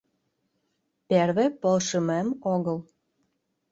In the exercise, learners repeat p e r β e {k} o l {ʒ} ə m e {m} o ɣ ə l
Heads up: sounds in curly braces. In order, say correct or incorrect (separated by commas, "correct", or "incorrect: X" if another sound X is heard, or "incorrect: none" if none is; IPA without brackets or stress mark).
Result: incorrect: p, incorrect: ʃ, correct